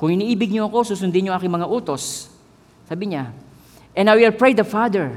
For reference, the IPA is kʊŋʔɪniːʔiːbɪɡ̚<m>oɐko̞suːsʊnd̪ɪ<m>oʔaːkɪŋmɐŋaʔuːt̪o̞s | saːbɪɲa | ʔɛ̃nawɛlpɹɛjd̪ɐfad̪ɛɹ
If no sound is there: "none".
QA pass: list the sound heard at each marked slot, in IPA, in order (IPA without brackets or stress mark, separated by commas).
ɲ, ɲ